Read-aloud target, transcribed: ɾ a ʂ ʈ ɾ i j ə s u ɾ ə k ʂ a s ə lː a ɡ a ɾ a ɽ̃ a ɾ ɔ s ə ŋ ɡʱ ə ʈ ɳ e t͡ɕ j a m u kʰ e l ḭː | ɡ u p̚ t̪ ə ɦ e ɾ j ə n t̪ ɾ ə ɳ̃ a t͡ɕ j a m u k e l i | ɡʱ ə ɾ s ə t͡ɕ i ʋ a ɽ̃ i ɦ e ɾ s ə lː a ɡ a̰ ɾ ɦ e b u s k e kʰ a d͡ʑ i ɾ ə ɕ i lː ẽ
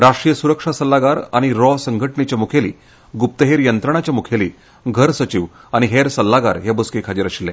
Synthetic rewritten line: ɾ a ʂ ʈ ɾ i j ə s u ɾ ə k ʂ a s ə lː a ɡ a ɾ a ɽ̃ i ɾ ɔ s ə ŋ ɡʱ ə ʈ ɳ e t͡ɕ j a m u kʰ e l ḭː | ɡ u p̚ t̪ ə ɦ e ɾ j ə n t̪ ɾ ə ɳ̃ a t͡ɕ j a m u kʰ e l i | ɡʱ ə ɾ s ə t͡ɕ i ʋ a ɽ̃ i ɦ e ɾ s ə lː a ɡ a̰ ɾ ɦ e b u s k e kʰ a d͡ʑ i ɾ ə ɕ i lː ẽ